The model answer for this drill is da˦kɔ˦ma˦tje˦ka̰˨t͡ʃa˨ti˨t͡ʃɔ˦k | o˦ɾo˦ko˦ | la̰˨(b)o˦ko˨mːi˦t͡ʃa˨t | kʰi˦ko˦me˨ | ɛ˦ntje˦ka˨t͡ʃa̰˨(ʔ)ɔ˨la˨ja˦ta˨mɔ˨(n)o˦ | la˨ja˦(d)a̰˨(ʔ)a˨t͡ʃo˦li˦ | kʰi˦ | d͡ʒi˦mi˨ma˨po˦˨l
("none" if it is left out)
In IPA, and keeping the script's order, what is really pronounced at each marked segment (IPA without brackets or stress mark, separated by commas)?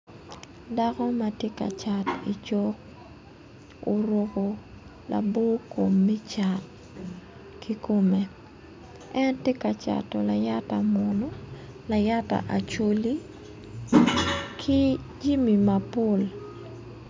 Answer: b, t, n, t, ʔ